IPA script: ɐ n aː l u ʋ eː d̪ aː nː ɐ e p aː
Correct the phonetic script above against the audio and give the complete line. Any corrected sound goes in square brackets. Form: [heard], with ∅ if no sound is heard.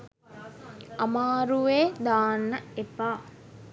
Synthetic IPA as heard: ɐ [m] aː [ɾ] u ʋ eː d̪ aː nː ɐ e p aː

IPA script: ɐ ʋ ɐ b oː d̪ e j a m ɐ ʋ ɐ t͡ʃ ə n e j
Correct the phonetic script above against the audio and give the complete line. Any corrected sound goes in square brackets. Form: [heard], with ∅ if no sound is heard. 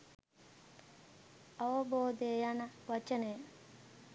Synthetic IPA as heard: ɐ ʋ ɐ b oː d̪ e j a [n] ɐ ʋ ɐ t͡ʃ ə n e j

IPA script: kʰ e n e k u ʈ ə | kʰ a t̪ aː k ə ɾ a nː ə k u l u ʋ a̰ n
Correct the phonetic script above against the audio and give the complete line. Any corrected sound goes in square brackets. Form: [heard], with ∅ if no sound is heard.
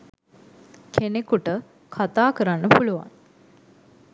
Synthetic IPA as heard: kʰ e n e k u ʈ ə | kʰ a t̪ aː k ə ɾ a nː ə [p] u l u ʋ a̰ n

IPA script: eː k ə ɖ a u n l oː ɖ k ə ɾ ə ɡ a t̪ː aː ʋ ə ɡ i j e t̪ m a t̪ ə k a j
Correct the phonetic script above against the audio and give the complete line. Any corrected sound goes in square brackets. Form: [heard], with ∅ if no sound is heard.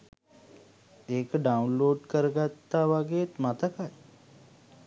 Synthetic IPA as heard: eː k ə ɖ a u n l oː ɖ k ə ɾ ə ɡ a t̪ː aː ʋ [a] ɡ [e] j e t̪ m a t̪ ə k a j

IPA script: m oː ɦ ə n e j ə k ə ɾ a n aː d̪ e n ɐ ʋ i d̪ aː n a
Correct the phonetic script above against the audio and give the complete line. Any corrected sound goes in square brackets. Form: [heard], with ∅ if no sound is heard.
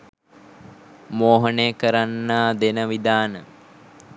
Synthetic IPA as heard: m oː ɦ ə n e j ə k ə ɾ a [nː] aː d̪ e n [ə] ʋ i d̪ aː n [ə]

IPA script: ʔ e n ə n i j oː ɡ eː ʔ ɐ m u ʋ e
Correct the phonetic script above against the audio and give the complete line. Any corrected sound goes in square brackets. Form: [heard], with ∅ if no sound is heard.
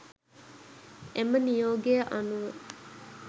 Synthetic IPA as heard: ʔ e [m] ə n i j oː ɡ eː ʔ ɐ [n] u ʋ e

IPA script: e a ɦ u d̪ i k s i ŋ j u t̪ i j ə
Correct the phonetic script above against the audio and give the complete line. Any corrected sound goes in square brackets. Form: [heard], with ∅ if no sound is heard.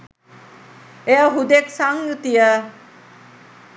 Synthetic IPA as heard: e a ɦ u d̪ [e] k s [a] ŋ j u t̪ i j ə

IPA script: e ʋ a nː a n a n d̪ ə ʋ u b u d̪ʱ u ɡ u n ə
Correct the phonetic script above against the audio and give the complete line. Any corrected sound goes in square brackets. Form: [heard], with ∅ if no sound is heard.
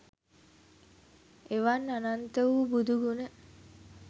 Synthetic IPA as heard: e ʋ a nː a n a n [t̪] ə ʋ u b u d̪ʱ u ɡ u n ə

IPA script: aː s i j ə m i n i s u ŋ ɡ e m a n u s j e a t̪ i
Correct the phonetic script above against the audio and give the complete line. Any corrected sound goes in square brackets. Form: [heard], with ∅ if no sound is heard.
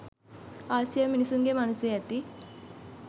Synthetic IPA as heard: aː s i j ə m i n i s u ŋ ɡ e m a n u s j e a t̪ i

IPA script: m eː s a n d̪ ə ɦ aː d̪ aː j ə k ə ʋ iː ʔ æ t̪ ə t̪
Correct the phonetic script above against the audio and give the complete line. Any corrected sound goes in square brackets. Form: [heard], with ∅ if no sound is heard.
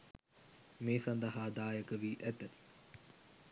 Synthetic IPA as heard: m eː s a n d̪ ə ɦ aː d̪ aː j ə k ə ʋ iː ʔ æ t̪ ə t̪

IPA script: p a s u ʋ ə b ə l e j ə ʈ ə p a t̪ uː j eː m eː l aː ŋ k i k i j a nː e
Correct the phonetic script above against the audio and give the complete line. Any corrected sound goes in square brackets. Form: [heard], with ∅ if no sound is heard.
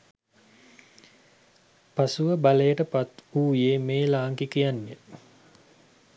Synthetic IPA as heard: p a s u ʋ ə b [a] l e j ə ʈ ə p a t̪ uː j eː m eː l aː ŋ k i k i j a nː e

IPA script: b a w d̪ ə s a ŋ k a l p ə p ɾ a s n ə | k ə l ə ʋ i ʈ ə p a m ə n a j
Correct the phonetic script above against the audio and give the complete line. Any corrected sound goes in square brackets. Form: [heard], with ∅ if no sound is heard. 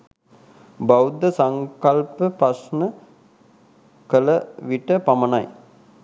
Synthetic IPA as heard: b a w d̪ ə s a ŋ k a l p ə p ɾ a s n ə | k ə l ə ʋ i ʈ ə p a m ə n a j

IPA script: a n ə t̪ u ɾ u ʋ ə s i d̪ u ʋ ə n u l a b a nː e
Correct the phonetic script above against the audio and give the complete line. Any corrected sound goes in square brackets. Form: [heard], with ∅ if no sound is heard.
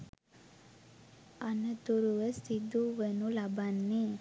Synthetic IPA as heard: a n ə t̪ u ɾ u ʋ ə s i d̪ u ʋ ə n u l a b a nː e

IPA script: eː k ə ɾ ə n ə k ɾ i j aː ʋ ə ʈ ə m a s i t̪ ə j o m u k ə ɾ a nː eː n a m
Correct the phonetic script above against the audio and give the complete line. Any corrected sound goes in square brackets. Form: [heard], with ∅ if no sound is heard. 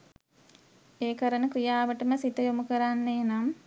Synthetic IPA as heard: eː k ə ɾ ə n ə k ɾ i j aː ʋ ə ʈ ə m [ə] s i t̪ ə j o m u k ə ɾ a nː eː n a m

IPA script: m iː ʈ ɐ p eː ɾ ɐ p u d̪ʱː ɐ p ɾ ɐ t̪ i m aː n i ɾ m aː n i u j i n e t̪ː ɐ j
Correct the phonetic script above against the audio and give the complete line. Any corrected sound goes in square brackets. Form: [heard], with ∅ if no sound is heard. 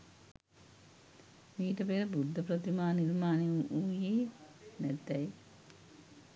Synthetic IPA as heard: m iː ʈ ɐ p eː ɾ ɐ [b] u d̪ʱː ɐ p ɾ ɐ t̪ i m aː n i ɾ m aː n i u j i n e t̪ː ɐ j

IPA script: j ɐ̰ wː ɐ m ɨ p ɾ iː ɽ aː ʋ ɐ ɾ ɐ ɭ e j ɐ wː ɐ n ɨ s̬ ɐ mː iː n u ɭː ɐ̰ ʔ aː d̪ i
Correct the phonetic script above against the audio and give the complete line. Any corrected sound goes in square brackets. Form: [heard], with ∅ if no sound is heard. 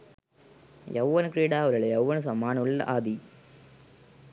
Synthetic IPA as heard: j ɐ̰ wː ɐ [n] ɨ [k] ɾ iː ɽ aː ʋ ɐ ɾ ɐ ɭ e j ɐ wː ɐ n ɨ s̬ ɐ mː [aː] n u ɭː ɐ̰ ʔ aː d̪ i

